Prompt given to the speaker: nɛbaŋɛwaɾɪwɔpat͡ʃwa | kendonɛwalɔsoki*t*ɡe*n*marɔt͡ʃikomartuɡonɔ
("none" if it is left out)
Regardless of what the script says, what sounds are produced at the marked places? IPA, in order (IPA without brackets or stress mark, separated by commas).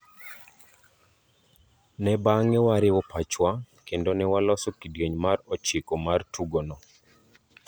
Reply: d, ɲ